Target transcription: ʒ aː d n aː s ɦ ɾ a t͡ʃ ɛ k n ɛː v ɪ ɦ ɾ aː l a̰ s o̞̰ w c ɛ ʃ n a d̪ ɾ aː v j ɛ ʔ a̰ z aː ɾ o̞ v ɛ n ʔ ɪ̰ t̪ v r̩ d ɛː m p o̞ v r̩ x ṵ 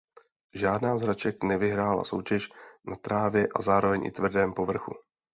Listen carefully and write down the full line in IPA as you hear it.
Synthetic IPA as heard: ʒ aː d n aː z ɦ ɾ a t͡ʃ ɛ k n ɛ v ɪ ɦ ɾ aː l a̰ s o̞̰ w c ɛ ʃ n a t̪ ɾ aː v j ɛ ʔ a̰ z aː ɾ o̞ v ɛ ɲ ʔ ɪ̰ t̪ v r̩ d ɛː m p o̞ v r̩ x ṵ

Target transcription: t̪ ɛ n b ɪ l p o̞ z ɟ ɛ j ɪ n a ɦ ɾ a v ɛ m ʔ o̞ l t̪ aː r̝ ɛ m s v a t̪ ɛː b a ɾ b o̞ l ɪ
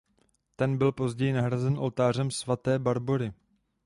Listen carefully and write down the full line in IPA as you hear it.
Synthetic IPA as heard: t̪ ɛ n b ɪ l p o̞ z ɟ ɛ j ɪ n a ɦ ɾ a z ɛ n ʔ o̞ l t̪ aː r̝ ɛ m s v a t̪ ɛː b a ɾ b o̞ ɾ ɪ

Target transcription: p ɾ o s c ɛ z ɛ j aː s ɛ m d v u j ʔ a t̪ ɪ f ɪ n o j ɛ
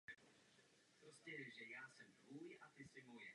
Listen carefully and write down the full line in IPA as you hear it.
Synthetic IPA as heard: p ɾ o s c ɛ ʒ ɛ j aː s ɛ m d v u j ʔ a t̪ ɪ s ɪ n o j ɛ

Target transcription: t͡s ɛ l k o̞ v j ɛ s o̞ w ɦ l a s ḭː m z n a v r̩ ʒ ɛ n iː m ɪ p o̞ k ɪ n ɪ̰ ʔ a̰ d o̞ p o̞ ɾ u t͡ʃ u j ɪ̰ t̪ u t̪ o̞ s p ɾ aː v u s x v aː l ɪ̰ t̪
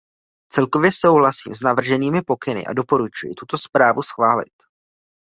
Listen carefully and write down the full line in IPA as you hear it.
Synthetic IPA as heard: t͡s ɛ l k o̞ v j ɛ s o̞ w ɦ l a s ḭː m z n a v r̩ ʒ ɛ n iː m ɪ p o̞ k ɪ n ɪ̰ ʔ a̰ d o̞ p o̞ ɾ u t͡ʃ u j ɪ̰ t̪ u t̪ o̞ s p ɾ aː v u s x v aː l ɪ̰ t̪

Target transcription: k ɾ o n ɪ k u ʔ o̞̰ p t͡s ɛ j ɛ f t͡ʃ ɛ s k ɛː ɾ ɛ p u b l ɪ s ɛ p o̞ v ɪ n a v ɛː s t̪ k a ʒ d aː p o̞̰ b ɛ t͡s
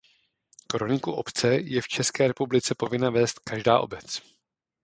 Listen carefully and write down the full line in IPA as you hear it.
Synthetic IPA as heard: k ɾ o n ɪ k u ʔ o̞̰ p t͡s ɛ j ɛ f t͡ʃ ɛ s k ɛː ɾ ɛ p u b l ɪ t͡s ɛ p o̞ v ɪ n a v ɛː s t̪ k a ʒ d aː ʔ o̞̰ b ɛ t͡s

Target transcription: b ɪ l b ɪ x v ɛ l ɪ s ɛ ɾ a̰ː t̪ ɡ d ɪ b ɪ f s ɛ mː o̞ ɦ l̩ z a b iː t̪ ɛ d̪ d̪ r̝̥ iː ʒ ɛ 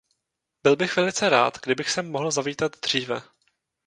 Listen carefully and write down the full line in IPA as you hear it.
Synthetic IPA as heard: b ɪ l b ɪ x v ɛ l ɪ t͡s ɛ ɾ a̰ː t̪ ɡ d ɪ b ɪ x s ɛ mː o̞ ɦ l̩ z a v iː t̪ a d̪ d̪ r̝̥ iː v ɛ

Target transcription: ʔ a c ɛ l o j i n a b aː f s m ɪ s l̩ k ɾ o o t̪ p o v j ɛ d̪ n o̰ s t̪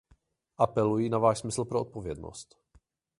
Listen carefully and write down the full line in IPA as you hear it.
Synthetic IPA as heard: ʔ a p ɛ l u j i n a v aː ʃ s m ɪ s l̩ p ɾ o o t̪ p o v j ɛ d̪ n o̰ s t̪

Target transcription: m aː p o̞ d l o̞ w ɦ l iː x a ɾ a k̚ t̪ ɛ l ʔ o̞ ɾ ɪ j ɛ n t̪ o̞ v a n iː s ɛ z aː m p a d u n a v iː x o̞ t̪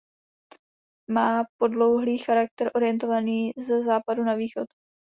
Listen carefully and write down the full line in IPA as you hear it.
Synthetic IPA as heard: m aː p o̞ d l o̞ w ɦ l iː x a ɾ a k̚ t̪ ɛ ɾ ʔ o̞ ɾ ɪ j ɛ n t̪ o̞ v a n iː z ɛ z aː p a d u n a v iː x o̞ t̪

